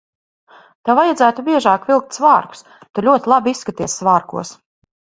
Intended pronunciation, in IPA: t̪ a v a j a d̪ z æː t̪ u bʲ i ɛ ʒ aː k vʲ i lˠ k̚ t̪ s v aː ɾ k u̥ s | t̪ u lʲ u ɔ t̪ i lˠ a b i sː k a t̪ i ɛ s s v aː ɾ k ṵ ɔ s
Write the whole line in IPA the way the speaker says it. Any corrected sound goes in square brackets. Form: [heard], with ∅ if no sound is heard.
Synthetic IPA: t̪ a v a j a d̪ z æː t̪ u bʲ i ɛ ʒ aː k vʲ i lˠ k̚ t̪ s v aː ɾ k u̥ s | t̪ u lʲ u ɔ t̪ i lˠ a b i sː k a t̪ i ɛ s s v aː ɾ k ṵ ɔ s